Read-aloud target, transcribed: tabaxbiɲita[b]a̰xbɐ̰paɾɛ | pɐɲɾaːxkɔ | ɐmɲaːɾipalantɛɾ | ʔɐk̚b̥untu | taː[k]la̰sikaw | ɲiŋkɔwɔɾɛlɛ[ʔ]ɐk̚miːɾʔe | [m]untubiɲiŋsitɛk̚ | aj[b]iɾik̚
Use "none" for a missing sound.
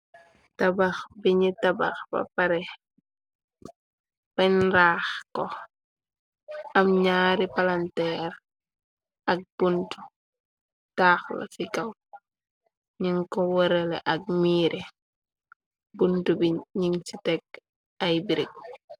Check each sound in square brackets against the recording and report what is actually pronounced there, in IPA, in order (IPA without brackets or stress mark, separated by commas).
b, x, ʔ, b, b